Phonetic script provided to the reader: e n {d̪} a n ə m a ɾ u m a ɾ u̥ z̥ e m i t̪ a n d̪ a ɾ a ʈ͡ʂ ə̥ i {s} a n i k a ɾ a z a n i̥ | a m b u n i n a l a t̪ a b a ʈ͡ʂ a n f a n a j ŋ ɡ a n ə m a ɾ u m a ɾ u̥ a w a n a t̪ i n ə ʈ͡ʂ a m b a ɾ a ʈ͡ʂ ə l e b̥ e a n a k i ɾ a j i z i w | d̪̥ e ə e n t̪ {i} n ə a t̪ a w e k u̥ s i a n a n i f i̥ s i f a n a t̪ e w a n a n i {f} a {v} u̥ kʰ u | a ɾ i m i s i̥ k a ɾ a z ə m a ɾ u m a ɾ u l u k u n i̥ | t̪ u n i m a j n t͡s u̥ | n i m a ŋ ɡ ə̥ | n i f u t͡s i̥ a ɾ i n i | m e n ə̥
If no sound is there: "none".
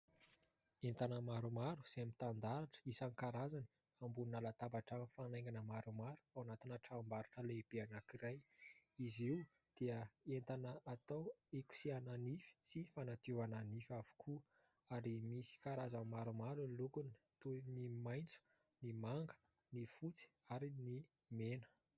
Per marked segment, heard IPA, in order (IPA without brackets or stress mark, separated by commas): t̪, s, a, f, v